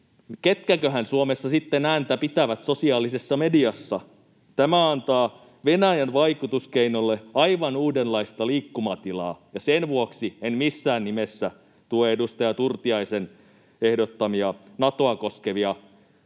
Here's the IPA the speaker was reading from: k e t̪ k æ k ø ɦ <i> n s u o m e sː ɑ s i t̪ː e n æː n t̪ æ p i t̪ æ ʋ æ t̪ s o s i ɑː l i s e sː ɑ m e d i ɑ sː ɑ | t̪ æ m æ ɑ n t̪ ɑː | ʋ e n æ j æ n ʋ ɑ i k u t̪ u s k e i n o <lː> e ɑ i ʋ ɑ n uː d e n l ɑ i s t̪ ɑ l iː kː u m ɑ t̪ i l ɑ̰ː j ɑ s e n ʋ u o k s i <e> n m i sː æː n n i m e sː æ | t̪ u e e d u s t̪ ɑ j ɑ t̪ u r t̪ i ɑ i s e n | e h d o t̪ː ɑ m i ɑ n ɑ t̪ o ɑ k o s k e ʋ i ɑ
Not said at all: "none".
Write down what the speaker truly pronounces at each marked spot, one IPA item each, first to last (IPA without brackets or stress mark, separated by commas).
æ, lː, e